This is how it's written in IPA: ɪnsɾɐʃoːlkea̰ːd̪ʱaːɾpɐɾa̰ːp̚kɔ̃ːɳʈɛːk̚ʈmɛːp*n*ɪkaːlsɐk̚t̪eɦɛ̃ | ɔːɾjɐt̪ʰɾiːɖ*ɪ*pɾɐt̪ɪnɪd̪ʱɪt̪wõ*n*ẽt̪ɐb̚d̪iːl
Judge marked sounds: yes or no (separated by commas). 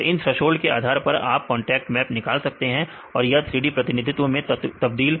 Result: yes, no, no